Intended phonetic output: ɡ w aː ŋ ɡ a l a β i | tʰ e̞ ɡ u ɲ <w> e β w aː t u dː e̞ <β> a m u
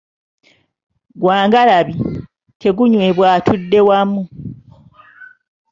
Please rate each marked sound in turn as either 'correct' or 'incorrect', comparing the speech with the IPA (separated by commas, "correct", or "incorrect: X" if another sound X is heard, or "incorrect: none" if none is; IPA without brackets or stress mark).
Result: correct, incorrect: w